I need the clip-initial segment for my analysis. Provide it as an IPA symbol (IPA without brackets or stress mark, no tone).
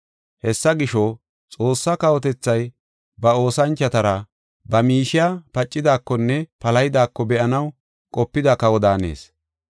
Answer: h